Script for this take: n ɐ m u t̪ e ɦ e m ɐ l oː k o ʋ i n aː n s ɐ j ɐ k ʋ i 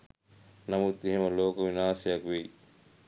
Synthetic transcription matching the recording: n ɐ m u t̪ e ɦ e m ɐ l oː k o ʋ i n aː s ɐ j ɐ k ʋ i